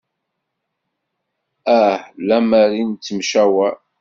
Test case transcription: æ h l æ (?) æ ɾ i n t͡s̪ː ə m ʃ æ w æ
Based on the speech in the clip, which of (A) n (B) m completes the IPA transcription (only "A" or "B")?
B